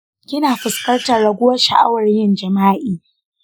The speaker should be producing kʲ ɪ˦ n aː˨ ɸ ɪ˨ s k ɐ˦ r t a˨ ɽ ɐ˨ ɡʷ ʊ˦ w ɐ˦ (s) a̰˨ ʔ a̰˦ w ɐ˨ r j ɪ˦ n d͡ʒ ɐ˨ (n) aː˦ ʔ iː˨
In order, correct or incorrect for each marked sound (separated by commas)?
incorrect, incorrect